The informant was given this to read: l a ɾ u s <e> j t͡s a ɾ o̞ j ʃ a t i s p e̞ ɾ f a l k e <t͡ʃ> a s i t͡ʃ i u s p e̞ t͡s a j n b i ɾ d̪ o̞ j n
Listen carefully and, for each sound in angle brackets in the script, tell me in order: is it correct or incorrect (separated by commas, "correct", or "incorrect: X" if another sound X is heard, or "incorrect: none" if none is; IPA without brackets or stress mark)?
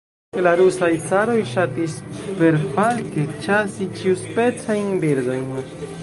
incorrect: a, correct